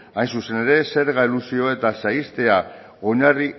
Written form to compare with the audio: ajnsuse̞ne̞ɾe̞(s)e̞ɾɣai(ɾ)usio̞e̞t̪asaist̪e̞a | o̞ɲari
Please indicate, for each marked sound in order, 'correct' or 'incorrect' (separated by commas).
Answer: correct, incorrect